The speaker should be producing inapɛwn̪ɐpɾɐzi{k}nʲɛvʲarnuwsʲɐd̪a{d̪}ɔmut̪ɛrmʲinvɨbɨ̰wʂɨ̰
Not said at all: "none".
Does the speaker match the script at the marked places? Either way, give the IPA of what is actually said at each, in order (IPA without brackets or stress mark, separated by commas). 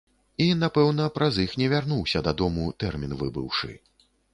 x, d̪